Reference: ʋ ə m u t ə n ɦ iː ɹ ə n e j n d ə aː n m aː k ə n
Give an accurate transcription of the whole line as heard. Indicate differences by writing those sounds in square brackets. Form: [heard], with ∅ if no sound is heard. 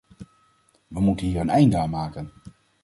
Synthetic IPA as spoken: ʋ ə m u t ə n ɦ iː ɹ ə n [ɛ] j n d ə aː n m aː k ə n